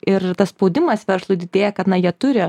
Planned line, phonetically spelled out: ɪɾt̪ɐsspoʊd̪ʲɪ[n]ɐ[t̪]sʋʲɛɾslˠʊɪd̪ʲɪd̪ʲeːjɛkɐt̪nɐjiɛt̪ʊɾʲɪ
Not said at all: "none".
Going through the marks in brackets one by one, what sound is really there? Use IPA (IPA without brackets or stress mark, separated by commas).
m, none